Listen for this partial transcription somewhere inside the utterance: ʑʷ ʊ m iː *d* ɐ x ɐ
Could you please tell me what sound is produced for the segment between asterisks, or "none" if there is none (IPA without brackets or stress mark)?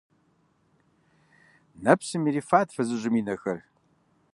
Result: n